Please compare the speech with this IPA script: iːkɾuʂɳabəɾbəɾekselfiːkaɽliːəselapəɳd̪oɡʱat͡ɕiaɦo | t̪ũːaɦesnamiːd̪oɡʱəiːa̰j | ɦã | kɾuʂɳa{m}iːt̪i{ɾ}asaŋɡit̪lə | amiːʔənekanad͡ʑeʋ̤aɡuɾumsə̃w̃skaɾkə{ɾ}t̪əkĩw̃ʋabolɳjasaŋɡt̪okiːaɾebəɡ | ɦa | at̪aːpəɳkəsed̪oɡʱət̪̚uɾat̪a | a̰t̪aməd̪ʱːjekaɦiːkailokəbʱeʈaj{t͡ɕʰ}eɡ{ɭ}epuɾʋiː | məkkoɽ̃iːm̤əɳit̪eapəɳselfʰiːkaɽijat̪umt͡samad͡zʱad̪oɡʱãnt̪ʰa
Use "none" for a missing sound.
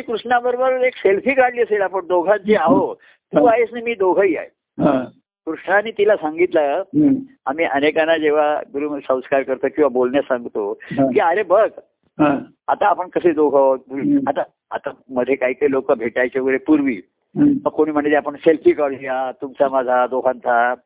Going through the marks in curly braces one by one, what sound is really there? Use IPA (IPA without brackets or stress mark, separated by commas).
n, l, ɾ, t͡ɕ, ɾ